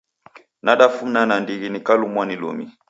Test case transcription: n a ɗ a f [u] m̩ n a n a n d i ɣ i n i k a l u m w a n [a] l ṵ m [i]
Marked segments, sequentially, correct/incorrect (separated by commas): correct, incorrect, correct